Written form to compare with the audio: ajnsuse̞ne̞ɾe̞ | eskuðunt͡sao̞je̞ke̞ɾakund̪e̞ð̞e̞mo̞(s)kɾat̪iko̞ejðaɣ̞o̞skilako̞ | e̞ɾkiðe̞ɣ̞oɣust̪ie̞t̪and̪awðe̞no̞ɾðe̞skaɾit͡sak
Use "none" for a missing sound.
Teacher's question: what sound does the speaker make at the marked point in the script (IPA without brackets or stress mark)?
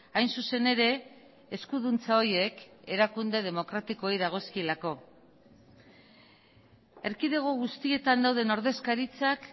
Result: none